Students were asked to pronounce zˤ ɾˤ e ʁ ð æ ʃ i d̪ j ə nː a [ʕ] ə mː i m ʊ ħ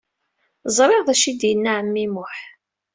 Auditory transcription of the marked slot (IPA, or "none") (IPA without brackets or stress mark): ʕ